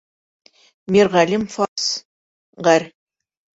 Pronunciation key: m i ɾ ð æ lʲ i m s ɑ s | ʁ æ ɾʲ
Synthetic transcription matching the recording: m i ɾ ʁ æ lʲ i m f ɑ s | ʁ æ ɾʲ